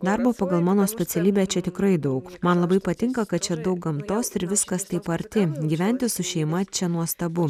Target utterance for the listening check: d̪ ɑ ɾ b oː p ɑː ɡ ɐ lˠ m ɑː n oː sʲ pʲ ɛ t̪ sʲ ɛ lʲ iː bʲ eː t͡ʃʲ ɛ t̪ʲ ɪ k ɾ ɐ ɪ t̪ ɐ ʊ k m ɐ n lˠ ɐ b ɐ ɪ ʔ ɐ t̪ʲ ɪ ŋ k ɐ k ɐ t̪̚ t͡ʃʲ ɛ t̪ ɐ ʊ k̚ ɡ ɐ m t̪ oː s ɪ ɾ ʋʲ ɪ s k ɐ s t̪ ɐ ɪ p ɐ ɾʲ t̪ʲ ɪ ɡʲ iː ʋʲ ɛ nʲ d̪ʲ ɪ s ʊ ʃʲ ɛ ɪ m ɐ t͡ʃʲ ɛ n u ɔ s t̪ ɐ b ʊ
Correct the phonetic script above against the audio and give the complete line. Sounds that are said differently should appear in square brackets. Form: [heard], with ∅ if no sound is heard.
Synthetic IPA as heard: d̪ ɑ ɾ b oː p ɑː ɡ ɐ lˠ m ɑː n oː sʲ pʲ ɛ t̪ sʲ ɛ lʲ iː bʲ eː t͡ʃʲ ɛ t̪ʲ ɪ k ɾ ɐ ɪ [d̪] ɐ ʊ k m ɐ n lˠ ɐ b ɐ ɪ [p] ɐ t̪ʲ ɪ ŋ k ɐ k ɐ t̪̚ t͡ʃʲ ɛ [d̪] ɐ ʊ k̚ ɡ ɐ m t̪ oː s ɪ ɾ ʋʲ ɪ s k ɐ s t̪ ɐ ɪ p ɐ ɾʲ t̪ʲ ɪ ɡʲ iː ʋʲ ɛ nʲ [t̪ʲ] ɪ s ʊ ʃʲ ɛ ɪ m ɐ t͡ʃʲ ɛ n u ɔ s t̪ ɐ b ʊ